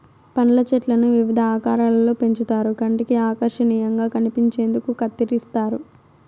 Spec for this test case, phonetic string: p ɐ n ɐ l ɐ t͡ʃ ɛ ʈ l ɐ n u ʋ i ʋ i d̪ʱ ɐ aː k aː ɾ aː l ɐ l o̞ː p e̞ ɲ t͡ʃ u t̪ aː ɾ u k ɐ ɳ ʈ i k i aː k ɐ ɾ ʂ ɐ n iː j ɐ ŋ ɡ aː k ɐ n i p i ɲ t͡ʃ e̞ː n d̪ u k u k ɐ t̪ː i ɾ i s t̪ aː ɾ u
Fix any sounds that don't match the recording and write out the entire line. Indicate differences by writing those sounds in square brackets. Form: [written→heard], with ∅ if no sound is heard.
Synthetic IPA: p ɐ n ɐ l ɐ t͡ʃ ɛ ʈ l ɐ n u ʋ i ʋ i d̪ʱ ɐ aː k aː ɾ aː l ɐ l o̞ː p e̞ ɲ t͡ʃ u t̪ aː ɾ u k ɐ ɳ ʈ i k i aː k ɐ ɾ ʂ ɐ n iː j ɐ ŋ ɡ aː k ɐ n i p i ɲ t͡ʃ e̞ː n d̪ u k u k ɐ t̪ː i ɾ i s t̪ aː ɾ u

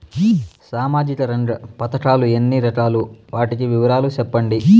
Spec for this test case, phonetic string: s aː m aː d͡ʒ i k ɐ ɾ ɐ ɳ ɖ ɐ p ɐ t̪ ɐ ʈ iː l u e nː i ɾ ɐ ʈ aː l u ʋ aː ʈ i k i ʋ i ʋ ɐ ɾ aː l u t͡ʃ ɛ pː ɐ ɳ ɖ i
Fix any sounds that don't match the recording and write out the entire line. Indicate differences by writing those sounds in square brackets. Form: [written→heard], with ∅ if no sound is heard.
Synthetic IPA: s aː m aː d͡ʒ i k ɐ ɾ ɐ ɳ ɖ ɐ p ɐ t̪ ɐ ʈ [iː→aː] l u e nː i ɾ ɐ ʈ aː l u ʋ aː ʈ i k i ʋ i ʋ ɐ ɾ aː l u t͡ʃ ɛ pː ɐ ɳ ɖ i

